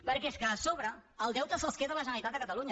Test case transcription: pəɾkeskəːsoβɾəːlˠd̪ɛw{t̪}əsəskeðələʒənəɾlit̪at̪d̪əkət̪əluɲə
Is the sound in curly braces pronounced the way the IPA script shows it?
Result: yes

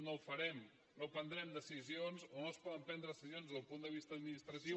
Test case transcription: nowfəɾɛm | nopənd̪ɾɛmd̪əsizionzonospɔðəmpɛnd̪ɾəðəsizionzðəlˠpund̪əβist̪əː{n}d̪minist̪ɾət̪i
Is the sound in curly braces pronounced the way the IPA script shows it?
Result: no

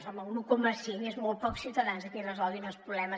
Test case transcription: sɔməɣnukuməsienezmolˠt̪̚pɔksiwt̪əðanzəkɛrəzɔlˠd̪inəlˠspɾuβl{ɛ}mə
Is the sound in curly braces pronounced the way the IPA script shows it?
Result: yes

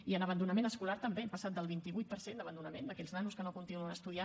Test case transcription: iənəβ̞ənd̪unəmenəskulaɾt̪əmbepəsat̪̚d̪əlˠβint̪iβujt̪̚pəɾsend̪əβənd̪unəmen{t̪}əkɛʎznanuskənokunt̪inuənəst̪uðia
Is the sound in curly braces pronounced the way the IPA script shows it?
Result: no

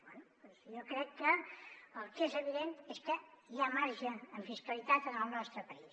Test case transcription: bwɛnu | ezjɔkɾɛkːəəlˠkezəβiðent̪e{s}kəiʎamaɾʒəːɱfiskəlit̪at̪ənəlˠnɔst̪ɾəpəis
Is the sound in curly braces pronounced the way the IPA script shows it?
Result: yes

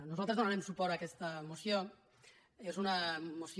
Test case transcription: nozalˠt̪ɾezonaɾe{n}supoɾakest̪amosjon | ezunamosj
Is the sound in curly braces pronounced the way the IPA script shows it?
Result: no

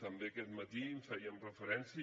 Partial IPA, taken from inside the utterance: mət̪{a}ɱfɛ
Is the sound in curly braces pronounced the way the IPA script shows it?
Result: no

